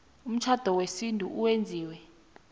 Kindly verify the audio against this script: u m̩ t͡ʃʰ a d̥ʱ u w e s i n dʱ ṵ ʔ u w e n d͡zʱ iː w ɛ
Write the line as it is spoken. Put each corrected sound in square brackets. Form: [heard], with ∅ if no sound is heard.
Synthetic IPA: u m̩ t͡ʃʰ a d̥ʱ [ɔ] w e s i n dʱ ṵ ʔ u w e n d͡zʱ iː w ɛ